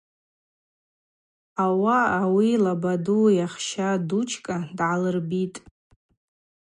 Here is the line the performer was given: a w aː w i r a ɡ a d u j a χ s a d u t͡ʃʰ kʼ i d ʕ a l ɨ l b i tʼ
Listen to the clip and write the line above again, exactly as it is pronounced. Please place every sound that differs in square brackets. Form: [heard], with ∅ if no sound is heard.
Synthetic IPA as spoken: a w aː w i [l] a [b] a d u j a χ [ʃ] a d u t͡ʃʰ kʼ [a] d ʕ a l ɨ [r] b i tʼ